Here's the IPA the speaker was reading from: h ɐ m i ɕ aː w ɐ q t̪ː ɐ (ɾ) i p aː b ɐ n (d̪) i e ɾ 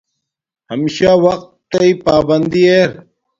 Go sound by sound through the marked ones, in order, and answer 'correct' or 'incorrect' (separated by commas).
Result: incorrect, correct